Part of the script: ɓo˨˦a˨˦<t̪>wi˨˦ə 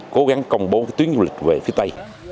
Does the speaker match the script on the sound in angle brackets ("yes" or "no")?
yes